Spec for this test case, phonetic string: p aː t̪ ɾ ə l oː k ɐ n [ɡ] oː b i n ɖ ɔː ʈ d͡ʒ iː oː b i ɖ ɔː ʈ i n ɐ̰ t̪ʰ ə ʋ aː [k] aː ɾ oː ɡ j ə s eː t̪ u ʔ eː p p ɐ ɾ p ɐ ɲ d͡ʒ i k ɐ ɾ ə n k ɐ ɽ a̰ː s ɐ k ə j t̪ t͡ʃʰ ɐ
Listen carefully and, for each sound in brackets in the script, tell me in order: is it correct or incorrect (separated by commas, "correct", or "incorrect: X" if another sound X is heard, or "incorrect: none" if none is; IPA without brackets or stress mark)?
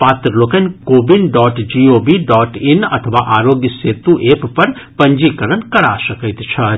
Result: incorrect: k, incorrect: ʔ